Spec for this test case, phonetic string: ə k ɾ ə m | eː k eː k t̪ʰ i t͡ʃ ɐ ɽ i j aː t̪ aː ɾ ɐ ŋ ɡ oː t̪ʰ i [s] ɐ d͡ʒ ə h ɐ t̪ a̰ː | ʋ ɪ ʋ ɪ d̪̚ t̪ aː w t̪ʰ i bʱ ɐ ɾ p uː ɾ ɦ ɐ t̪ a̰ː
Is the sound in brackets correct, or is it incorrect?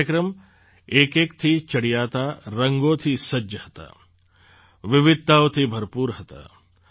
correct